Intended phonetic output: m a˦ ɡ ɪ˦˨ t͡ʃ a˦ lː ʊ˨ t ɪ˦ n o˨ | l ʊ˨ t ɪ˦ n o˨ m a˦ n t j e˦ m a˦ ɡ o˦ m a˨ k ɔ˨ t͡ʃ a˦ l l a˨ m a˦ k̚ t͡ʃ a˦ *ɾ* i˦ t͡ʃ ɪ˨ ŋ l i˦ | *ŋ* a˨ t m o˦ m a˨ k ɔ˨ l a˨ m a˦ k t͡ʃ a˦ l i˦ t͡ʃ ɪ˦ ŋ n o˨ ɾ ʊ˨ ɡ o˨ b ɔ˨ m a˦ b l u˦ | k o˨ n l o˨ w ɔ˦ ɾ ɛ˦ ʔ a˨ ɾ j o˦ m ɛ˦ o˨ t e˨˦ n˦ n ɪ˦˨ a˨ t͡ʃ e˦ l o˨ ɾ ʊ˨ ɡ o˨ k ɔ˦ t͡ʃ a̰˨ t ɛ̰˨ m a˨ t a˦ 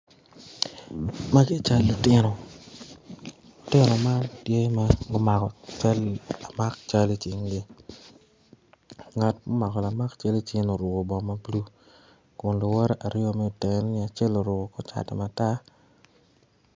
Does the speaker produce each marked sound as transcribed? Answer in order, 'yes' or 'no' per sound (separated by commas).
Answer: no, yes